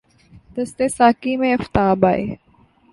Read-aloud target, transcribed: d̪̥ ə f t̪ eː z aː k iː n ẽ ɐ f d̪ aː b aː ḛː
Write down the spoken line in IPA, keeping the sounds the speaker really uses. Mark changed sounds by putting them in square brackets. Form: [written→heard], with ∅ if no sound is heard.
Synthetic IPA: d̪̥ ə [f→s] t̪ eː [z→s] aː k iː [n→m] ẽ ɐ f [d̪→t̪] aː b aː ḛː